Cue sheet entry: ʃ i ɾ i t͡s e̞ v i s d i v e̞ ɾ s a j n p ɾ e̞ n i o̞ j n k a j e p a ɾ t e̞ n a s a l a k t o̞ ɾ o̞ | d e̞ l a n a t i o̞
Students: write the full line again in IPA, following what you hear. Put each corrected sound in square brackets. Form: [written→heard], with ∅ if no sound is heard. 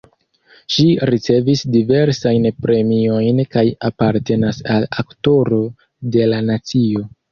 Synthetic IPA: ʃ i ɾ i t͡s e̞ v i s d i v e̞ ɾ s a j n p ɾ e̞ [n→m] i o̞ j n k a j [e→a] p a ɾ t e̞ n a s a l a k t o̞ ɾ o̞ | d e̞ l a n a [t→t͡s] i o̞